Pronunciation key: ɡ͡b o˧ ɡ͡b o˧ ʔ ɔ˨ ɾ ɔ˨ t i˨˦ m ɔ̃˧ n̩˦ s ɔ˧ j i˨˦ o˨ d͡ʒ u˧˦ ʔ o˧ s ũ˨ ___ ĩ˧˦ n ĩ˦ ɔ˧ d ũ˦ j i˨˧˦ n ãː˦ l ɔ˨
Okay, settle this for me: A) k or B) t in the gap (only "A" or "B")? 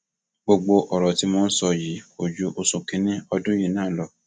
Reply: A